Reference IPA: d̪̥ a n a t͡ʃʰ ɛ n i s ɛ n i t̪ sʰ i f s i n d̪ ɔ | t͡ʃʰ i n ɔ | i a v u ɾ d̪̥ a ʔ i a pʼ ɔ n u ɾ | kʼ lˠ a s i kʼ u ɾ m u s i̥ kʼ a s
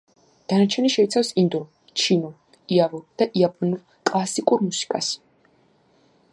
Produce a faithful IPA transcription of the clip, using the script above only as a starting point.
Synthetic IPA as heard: d̪̥ a n a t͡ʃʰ ɛ n i ʃ ɛ i t̪ sʰ a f s i n d̪ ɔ | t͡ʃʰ i n ɔ | i a v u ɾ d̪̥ a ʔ i a pʼ ɔ n u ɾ | kʼ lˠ a s i kʼ u ɾ m u s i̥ kʼ a s